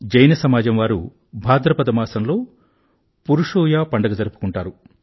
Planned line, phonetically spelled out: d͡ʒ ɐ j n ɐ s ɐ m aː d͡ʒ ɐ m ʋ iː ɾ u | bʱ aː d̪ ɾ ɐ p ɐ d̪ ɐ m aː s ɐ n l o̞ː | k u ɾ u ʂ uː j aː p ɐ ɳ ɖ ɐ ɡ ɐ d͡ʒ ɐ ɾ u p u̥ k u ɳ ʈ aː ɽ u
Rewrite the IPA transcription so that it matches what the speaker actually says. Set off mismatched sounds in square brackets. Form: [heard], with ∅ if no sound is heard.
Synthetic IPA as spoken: d͡ʒ ɐ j n ɐ s ɐ m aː d͡ʒ ɐ m ʋ [aː] ɾ u | bʱ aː d̪ ɾ ɐ p ɐ d̪ ɐ m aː s ɐ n l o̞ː | [p] u ɾ u ʂ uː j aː p ɐ ɳ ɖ ɐ ɡ ɐ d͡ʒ ɐ ɾ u p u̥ k u ɳ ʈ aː [ɾ] u